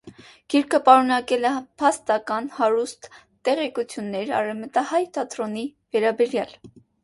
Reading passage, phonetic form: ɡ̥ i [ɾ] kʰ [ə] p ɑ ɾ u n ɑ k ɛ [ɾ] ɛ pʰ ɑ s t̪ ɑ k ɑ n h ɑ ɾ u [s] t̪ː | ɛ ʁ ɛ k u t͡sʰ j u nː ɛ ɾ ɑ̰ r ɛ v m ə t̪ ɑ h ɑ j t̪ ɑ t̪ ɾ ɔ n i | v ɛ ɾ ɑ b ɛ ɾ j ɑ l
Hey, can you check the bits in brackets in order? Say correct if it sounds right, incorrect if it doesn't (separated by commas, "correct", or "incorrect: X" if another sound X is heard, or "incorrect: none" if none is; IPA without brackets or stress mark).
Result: correct, correct, incorrect: l, correct